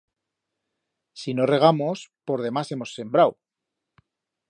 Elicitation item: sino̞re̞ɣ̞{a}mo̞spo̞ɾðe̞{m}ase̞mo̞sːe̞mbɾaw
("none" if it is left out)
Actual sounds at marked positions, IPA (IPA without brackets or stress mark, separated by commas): a, m